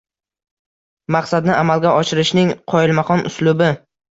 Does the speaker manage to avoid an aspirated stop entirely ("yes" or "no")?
no